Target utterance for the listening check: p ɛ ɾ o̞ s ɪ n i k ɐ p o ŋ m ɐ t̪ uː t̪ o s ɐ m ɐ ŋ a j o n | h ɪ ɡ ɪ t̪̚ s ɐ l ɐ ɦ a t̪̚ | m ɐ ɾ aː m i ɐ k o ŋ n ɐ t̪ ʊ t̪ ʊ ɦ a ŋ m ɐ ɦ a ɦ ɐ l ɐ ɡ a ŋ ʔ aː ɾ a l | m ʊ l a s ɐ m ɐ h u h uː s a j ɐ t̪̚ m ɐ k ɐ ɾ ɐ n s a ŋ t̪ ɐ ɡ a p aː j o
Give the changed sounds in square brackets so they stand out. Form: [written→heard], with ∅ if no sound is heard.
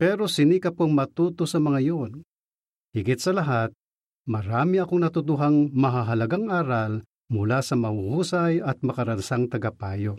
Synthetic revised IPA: p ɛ ɾ o̞ s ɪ n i k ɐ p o ŋ m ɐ t̪ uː t̪ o s ɐ m ɐ ŋ a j o n | h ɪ ɡ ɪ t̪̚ s ɐ l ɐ ɦ a t̪̚ | m ɐ ɾ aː m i ɐ k o ŋ n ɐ t̪ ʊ t̪ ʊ ɦ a ŋ m ɐ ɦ a ɦ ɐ l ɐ ɡ a ŋ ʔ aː ɾ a l | m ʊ l a s ɐ m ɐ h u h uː s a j ɐ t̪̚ m ɐ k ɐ ɾ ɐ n s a ŋ t̪ ɐ ɡ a p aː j o